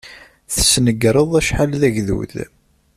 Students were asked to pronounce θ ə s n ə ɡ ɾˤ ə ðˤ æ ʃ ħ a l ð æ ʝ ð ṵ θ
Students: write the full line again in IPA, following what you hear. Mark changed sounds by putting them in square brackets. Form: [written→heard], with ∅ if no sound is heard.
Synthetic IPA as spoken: θ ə s n ə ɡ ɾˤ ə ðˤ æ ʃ ħ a l ð æ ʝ ð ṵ [θ→ð]